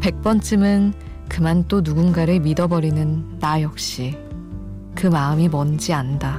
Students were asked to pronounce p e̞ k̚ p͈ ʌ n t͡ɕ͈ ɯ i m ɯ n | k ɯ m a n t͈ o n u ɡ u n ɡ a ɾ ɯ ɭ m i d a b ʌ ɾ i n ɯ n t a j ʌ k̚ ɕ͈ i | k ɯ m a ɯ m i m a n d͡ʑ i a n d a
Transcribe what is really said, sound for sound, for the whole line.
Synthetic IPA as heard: p e̞ k̚ p͈ ʌ n t͡ɕ͈ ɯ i m ɯ n | k ɯ m a n t͈ o n u ɡ u n ɡ a ɾ ɯ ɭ m i d ʌ b ʌ ɾ i n ɯ n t a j ʌ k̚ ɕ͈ i | k ɯ m a ɯ m i m ʌ n d͡ʑ i a n d a